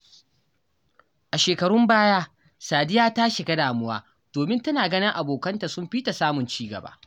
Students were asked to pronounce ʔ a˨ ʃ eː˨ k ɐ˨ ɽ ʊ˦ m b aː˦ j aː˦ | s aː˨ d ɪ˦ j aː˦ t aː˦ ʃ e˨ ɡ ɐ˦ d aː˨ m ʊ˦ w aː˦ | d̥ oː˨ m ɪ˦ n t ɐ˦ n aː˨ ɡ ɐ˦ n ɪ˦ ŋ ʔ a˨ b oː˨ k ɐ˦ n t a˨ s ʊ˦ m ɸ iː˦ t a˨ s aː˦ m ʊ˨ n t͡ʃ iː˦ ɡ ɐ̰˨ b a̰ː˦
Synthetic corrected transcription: ʔ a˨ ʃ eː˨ k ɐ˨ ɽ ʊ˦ m b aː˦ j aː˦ | s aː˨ d ɪ˦ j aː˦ t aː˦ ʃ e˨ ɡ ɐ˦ d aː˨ m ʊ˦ w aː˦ | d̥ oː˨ m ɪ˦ n t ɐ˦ n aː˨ ɡ ɐ˦ n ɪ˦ ŋ ʔ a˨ b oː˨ k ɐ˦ n t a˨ s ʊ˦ m ɸ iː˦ t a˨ s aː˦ m ʊ˨ n t͡ʃ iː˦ ɡ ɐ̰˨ b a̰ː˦